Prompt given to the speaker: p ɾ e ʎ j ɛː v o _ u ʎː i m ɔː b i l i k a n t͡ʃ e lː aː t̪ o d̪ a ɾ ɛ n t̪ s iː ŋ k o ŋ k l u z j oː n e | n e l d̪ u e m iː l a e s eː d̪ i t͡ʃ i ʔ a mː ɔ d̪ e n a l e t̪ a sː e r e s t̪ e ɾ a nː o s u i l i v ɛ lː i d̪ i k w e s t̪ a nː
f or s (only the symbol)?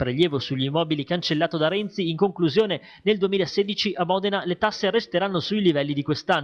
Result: s